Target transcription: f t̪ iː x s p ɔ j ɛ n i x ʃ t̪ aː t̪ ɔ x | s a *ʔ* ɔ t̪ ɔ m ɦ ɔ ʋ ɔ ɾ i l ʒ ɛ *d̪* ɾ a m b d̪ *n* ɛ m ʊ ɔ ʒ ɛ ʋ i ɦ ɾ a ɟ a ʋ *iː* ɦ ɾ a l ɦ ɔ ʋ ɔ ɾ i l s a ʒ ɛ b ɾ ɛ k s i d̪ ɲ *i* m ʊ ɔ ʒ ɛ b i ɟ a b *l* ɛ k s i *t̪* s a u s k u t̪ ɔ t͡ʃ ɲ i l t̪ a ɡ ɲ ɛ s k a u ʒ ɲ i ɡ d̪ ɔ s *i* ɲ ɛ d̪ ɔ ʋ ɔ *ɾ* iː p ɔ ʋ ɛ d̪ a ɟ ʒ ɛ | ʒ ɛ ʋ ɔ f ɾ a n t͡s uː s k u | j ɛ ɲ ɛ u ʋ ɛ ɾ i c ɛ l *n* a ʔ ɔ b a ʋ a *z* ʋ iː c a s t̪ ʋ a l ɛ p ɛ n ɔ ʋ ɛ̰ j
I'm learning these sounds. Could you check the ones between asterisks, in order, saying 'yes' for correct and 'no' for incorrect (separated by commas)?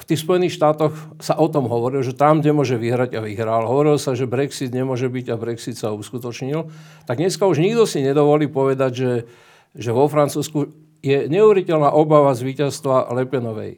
yes, no, no, no, no, no, yes, yes, no, yes, yes